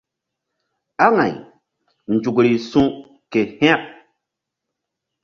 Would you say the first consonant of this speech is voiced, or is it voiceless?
voiced